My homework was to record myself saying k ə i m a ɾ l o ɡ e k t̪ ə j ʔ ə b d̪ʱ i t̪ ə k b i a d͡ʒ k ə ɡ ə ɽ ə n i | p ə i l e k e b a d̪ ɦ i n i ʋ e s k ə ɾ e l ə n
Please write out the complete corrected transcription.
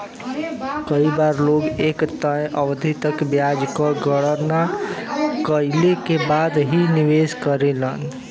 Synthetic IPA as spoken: k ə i b a ɾ l o ɡ e k t̪ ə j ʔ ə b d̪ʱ i t̪ ə k b j a d͡ʒ k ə ɡ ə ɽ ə n a | k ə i l e k e b a d̪ ɦ i n i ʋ e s k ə ɾ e l ə n